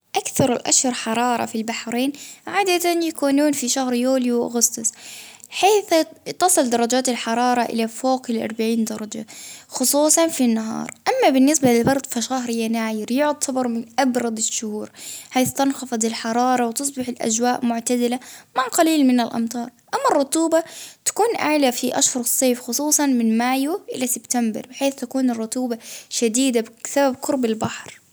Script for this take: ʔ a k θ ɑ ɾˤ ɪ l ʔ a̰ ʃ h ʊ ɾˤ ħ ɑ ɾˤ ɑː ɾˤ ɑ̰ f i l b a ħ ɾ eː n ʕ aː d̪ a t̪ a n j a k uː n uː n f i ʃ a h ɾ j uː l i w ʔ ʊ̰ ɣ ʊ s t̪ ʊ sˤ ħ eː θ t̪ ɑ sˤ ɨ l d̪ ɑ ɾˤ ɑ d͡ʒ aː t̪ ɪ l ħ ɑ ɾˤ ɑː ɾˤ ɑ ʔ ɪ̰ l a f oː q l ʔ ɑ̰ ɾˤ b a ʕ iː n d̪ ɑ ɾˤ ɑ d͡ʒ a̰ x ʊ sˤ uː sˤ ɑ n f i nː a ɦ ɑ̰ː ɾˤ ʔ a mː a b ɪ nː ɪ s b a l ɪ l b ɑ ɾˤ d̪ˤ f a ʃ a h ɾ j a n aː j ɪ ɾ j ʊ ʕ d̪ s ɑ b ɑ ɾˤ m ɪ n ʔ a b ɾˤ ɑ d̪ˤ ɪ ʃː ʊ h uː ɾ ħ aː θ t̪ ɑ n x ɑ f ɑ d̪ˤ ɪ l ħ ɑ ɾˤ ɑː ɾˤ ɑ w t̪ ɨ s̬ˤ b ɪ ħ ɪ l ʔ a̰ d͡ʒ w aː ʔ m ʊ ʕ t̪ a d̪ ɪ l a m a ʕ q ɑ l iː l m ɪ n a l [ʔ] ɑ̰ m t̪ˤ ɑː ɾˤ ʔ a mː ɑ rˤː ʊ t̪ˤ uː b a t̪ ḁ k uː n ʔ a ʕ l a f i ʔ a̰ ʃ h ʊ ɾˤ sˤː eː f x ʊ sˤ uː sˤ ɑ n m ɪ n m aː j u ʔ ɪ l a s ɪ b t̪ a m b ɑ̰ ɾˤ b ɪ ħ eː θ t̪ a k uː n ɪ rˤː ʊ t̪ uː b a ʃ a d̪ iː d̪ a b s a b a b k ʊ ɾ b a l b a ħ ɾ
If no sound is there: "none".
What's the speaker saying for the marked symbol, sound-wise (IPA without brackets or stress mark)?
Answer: ʔ